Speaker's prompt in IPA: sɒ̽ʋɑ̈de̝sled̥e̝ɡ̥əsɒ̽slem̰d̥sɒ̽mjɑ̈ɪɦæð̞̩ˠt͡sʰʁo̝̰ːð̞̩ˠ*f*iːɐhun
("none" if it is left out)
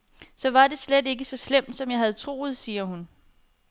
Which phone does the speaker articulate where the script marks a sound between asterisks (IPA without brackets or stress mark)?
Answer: s